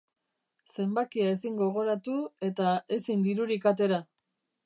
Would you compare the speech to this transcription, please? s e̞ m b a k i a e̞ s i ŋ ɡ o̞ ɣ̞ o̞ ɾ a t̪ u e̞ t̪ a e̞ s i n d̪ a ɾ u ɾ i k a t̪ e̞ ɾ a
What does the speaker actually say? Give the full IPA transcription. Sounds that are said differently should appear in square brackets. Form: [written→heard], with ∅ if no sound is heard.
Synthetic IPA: s e̞ m b a k i a e̞ s i ŋ ɡ o̞ ɣ̞ o̞ ɾ a t̪ u e̞ t̪ a e̞ s i n d̪ [a→i] ɾ u ɾ i k a t̪ e̞ ɾ a